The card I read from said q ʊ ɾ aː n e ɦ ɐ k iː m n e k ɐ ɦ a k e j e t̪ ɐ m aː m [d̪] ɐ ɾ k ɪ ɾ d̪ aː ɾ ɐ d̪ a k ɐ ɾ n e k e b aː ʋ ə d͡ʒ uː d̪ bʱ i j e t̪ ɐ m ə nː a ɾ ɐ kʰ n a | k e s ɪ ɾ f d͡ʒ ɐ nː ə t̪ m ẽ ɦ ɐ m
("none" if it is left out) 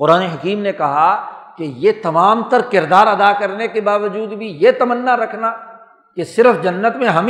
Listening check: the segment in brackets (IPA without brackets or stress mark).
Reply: t̪